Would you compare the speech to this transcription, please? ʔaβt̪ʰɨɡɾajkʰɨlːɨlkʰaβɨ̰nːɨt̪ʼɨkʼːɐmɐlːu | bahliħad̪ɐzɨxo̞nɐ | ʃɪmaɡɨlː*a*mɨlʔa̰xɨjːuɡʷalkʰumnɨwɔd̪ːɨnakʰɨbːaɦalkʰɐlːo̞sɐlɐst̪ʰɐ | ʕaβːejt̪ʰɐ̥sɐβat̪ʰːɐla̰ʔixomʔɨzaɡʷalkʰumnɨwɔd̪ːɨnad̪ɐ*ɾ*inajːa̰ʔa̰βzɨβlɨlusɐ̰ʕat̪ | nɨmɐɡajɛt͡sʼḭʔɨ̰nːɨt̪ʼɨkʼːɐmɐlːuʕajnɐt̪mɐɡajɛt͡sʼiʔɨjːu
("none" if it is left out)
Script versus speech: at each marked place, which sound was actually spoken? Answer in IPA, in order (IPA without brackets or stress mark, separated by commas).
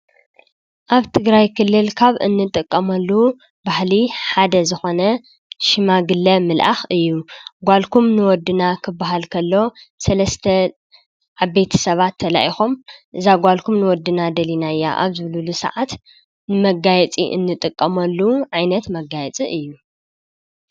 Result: ɐ, l